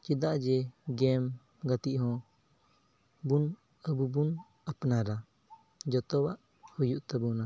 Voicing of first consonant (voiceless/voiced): voiceless